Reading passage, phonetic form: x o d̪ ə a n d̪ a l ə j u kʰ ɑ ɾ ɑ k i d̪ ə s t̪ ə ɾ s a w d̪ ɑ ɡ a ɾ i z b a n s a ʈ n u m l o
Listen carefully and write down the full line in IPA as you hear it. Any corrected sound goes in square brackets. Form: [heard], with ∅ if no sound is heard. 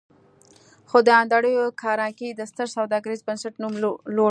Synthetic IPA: x o d̪ ə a n d̪ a [ɽ] ə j [o] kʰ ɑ ɾ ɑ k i d̪ ə s t̪ ə ɾ s a w d̪ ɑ ɡ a ɾ i z b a n s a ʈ n u m l o